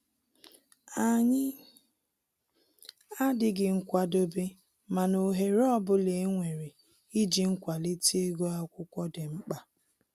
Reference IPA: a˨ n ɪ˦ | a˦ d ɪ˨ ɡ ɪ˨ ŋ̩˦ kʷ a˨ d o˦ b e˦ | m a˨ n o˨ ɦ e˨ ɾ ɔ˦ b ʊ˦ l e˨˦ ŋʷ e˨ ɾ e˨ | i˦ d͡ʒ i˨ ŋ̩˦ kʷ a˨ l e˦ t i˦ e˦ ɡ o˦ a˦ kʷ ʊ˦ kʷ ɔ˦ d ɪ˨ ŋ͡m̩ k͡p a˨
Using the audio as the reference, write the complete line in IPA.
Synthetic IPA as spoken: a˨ ɲ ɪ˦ | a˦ d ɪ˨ ɡ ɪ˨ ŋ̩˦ kʷ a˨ d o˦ b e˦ | m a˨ n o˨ ɦ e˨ ɾ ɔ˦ b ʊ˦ l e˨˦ ŋʷ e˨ ɾ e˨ | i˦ d͡ʒ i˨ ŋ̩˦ kʷ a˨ l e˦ t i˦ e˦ ɡ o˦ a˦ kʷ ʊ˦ kʷ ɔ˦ d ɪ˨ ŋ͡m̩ k͡p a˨